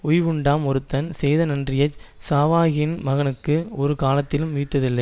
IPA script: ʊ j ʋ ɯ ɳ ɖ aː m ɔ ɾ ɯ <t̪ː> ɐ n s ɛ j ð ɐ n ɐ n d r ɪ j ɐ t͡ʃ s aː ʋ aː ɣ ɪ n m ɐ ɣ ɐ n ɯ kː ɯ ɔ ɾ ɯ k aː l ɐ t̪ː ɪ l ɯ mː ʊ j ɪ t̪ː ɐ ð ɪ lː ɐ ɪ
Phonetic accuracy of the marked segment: correct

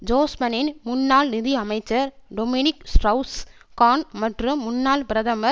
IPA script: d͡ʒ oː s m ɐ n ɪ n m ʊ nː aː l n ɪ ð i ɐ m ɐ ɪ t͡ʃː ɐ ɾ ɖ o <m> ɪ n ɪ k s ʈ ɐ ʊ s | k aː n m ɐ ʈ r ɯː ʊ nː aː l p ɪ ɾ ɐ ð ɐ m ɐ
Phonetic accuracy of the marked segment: correct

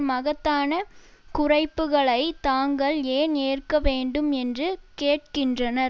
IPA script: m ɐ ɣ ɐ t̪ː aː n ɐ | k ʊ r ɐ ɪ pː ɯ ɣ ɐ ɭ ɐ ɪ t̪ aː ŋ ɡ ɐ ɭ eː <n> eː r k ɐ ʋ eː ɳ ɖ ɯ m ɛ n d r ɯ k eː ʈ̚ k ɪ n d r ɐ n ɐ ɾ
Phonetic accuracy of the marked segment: correct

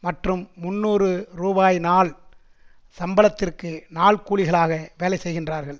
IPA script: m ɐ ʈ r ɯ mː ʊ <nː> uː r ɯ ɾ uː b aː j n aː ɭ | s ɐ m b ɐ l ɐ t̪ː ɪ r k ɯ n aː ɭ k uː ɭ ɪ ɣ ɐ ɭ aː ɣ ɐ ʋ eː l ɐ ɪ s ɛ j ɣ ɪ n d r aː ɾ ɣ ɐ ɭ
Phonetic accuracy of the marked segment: correct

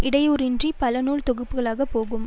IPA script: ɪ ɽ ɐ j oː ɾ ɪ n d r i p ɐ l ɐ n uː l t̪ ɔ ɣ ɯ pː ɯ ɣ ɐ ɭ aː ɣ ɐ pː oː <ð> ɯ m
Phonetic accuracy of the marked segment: incorrect: ɣ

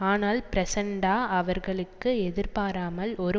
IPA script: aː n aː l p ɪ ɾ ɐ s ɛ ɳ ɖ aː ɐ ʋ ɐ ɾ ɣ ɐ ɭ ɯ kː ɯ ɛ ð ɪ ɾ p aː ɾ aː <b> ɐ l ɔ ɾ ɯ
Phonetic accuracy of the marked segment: incorrect: m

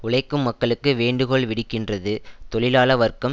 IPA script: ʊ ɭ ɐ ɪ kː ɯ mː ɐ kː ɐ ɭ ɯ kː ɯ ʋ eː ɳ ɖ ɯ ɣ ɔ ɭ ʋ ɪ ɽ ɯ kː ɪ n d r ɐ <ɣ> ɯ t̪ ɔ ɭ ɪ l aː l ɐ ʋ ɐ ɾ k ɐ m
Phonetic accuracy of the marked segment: incorrect: ð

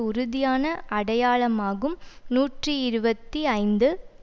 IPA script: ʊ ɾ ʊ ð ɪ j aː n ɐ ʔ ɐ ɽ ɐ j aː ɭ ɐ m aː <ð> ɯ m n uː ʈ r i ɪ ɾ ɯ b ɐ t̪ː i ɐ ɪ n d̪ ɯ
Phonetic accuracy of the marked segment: incorrect: ɣ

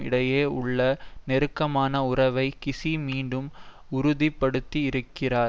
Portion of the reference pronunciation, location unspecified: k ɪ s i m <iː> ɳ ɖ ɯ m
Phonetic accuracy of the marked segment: correct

